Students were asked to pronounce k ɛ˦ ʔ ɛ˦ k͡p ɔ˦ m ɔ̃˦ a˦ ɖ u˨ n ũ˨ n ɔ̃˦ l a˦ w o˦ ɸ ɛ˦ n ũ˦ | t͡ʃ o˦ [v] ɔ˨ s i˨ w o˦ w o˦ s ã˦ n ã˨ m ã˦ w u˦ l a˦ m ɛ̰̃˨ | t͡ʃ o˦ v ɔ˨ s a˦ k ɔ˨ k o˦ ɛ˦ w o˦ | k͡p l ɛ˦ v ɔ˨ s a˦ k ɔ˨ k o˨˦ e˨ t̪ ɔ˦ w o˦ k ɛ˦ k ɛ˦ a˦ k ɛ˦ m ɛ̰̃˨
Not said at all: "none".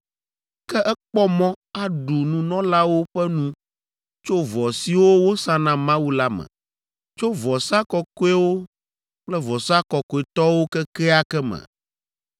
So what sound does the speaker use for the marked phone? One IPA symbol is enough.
v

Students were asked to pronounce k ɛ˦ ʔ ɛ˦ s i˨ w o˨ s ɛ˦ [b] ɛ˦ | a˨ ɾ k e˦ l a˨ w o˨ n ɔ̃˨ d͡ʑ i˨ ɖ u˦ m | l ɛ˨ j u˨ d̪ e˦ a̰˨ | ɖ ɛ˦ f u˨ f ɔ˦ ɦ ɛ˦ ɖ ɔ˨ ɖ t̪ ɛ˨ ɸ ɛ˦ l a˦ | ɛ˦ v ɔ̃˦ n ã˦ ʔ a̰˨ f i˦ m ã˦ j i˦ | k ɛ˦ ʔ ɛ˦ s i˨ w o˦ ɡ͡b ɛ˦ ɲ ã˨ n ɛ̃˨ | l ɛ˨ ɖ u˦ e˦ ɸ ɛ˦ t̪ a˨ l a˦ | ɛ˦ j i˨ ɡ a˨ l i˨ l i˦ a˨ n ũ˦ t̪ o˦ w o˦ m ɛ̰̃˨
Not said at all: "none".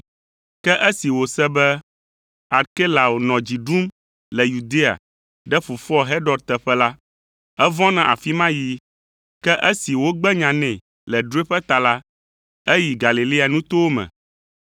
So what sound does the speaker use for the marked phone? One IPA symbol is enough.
b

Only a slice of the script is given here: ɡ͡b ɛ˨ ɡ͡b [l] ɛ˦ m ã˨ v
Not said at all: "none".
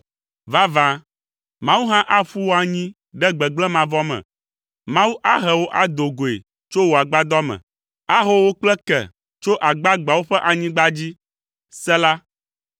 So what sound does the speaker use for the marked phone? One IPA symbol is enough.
l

